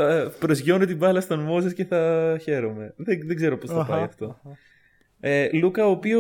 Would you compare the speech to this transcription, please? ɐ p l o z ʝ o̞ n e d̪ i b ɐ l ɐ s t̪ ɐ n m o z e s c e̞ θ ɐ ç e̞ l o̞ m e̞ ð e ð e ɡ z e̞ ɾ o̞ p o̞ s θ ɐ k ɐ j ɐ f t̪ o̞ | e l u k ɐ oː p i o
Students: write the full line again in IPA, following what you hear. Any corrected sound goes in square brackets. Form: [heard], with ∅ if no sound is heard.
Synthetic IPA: ɐ p [ɾ] o z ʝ o̞ n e [t̪] i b ɐ l ɐ s t̪ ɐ n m o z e s c e̞ θ ɐ ç e̞ [ɾ] o̞ m e̞ ð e ð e ɡ z e̞ ɾ o̞ p o̞ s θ ɐ [p] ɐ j ɐ f t̪ o̞ | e l u k ɐ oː p i o